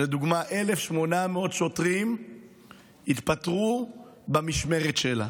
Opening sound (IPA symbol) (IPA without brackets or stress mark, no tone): l